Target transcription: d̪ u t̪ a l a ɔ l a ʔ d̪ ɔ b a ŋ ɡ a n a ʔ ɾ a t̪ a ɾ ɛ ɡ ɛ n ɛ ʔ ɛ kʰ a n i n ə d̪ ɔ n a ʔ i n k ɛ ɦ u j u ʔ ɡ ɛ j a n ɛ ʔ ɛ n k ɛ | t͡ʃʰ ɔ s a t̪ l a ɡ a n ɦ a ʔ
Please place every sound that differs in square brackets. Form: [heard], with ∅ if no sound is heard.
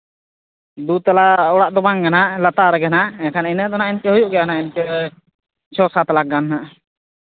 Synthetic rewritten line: d̪ u t̪ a l a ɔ [ɽ] a ʔ d̪ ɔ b a ŋ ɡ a n a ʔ [l] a t̪ a ɾ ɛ ɡ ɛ n [a] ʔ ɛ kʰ a n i n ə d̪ ɔ n a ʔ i n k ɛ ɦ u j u ʔ ɡ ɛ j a n [a] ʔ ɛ n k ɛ | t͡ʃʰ ɔ s a t̪ l a ɡ a n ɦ a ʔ